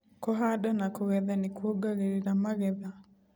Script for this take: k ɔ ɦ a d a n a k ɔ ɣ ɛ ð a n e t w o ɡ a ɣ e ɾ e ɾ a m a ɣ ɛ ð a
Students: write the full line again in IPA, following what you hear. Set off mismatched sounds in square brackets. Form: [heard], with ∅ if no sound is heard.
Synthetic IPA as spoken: k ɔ ɦ a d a n a k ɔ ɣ ɛ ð a n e [k] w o ɡ a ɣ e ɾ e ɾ a m a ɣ ɛ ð a